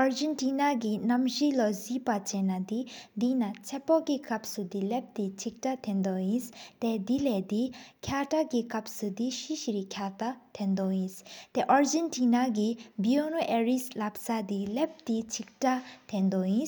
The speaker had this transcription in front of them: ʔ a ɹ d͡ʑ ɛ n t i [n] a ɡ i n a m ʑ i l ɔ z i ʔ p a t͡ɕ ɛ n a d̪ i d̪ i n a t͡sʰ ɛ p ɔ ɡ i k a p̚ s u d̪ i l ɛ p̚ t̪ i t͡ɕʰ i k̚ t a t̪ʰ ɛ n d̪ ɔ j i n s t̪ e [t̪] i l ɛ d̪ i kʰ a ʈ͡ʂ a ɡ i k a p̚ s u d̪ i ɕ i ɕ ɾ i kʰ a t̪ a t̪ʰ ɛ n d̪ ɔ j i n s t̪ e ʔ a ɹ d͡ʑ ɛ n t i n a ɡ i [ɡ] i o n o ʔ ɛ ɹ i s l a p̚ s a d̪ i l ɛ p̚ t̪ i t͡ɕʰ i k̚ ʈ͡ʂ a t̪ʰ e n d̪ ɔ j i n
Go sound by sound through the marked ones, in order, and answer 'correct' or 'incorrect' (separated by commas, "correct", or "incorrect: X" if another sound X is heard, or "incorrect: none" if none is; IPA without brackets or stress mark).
correct, incorrect: d̪, incorrect: b